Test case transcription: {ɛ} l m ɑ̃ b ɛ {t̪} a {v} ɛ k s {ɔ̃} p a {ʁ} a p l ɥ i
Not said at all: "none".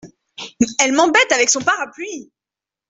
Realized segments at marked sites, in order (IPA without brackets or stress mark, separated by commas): ɛ, t̪, v, ɔ̃, ʁ